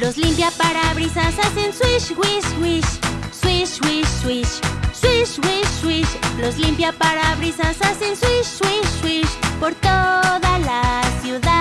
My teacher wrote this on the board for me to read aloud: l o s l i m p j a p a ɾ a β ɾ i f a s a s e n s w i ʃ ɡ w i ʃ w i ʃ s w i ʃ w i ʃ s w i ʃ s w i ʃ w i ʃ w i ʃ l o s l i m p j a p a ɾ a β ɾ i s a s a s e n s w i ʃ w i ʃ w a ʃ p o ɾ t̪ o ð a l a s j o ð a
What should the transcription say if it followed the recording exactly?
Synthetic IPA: l o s l i m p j a p a ɾ a β ɾ i s a s a s e n s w i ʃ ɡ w i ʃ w i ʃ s w i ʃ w i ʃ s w i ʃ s w i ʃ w i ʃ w i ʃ l o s l i m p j a p a ɾ a β ɾ i s a s a s e n s w i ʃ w i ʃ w i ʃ p o ɾ t̪ o ð a l a s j u ð a